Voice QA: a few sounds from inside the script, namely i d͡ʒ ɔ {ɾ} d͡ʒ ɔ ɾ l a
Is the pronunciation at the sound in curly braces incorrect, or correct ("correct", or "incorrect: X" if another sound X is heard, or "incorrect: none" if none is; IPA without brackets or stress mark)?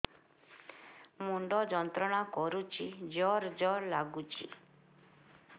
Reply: correct